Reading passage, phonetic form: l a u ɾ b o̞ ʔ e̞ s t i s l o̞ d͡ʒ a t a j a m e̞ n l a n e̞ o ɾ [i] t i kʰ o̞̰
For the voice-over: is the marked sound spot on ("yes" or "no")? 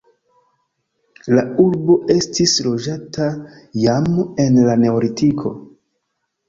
yes